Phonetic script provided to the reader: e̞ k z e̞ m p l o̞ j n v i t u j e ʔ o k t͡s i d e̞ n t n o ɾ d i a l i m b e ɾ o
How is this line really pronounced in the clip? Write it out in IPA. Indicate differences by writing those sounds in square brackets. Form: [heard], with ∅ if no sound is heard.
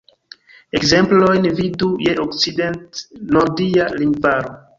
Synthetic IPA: e̞ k z e̞ m p l o̞ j n v i [d] u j e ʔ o k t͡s i d e̞ n t n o ɾ d i a l i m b [a] ɾ o